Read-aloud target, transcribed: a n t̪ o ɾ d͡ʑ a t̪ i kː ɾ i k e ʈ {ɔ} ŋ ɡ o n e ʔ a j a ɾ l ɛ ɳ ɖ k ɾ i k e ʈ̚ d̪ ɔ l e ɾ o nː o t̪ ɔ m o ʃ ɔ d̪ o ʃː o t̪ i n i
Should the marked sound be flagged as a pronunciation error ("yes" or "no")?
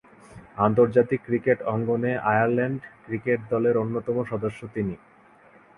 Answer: no